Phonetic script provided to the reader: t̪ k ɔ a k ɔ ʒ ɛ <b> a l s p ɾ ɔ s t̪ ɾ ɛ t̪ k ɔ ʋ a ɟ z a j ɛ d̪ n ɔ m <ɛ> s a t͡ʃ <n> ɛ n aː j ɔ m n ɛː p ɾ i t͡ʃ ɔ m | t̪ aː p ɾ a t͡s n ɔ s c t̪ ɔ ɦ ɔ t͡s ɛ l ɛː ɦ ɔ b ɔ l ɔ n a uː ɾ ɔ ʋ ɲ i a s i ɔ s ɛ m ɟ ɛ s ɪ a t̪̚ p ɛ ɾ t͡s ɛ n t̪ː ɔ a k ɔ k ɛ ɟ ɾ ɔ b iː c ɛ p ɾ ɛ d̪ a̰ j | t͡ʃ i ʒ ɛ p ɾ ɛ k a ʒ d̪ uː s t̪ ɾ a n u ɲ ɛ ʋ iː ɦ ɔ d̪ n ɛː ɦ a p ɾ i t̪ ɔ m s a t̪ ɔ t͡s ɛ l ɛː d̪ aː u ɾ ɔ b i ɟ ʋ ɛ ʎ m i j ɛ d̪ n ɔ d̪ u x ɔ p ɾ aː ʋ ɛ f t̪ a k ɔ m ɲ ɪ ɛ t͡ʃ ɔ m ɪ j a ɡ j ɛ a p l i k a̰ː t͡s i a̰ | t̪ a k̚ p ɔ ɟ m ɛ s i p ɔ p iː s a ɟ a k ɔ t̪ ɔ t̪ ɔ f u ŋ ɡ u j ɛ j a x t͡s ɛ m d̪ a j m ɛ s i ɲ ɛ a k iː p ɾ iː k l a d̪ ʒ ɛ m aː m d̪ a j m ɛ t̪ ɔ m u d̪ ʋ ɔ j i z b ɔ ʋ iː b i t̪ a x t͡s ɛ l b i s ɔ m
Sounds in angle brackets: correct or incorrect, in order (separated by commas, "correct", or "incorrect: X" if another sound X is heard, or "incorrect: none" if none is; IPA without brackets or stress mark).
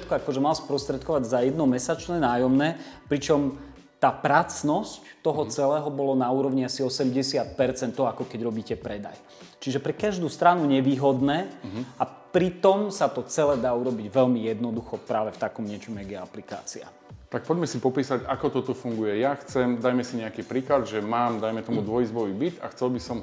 incorrect: m, correct, correct